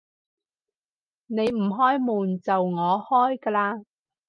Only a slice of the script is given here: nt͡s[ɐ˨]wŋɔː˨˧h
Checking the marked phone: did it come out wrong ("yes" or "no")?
no